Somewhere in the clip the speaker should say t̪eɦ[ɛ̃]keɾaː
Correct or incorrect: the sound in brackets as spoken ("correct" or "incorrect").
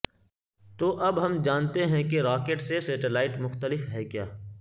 correct